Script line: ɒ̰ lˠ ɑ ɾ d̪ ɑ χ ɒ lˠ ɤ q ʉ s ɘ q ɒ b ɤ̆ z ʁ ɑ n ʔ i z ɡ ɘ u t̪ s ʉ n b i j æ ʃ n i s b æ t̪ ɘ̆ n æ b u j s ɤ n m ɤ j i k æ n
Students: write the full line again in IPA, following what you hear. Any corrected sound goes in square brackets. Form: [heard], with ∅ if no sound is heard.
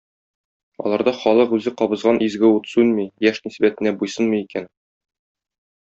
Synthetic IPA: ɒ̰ lˠ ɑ ɾ d̪ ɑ χ ɒ lˠ ɤ q ʉ [z] ɘ q ɒ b ɤ̆ z ʁ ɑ n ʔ i z ɡ ɘ u t̪ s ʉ n [m] i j æ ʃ n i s b æ t̪ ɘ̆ n æ b u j s ɤ n m ɤ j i k æ n